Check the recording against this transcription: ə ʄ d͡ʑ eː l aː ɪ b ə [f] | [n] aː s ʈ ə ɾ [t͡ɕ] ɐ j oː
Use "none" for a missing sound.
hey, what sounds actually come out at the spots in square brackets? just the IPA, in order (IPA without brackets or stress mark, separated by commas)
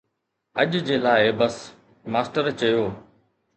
s, m, t͡ɕ